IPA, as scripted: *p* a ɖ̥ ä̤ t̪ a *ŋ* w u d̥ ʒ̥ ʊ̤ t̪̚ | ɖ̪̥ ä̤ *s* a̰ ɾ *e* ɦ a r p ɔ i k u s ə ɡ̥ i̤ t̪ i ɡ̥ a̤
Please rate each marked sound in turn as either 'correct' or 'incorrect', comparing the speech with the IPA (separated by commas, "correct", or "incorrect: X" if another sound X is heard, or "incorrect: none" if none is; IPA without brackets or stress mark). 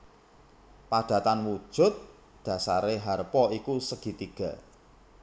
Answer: correct, incorrect: n, correct, correct